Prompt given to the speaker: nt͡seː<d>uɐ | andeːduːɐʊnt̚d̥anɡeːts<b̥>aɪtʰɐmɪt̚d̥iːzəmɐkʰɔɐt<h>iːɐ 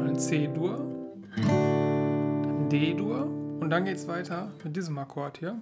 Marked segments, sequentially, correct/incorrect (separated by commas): correct, incorrect, correct